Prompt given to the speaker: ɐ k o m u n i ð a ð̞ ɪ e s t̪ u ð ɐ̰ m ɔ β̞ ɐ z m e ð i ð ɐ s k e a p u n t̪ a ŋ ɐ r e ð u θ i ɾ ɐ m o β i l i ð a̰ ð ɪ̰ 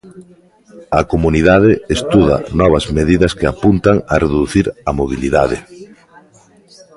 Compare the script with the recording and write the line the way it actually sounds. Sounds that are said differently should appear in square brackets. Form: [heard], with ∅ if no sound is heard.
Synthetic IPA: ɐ k o m u n i ð a ð̞ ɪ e s t̪ u ð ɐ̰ [n] ɔ β̞ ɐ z m e ð i ð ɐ s k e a p u n t̪ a ŋ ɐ r e ð u θ i ɾ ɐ m o β i l i ð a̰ ð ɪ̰